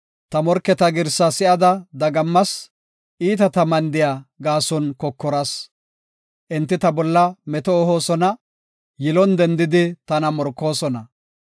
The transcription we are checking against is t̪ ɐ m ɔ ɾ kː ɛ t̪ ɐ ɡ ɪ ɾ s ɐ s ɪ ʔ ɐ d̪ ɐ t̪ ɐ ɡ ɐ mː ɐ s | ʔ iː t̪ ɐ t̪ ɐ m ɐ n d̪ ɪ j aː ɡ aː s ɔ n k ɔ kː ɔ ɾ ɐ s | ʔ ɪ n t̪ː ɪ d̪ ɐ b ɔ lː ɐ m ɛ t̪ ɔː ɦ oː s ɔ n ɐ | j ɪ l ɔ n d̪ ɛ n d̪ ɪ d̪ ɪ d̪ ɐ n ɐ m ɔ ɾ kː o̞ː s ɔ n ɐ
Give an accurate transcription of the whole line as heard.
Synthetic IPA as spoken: t̪ ɐ m ɔ ɾ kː ɛ t̪ ɐ ɡ ɪ ɾ s ɐ s ɪ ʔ ɐ d̪ ɐ d̪ ɐ ɡ ɐ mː ɐ s | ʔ iː t̪ ɐ t̪ ɐ m ɐ n d̪ ɪ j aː ɡ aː s ɔ n k ɔ kː ɔ ɾ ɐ s | ʔ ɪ n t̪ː ɪ t̪ ɐ b ɔ lː ɐ m ɛ t̪ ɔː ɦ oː s ɔ n ɐ | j ɪ l ɔ n d̪ ɛ n d̪ ɪ d̪ ɪ t̪ ɐ n ɐ m ɔ ɾ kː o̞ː s ɔ n ɐ